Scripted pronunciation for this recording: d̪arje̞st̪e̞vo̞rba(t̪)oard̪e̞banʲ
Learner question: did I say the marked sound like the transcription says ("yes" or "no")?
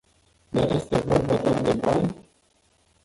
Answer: no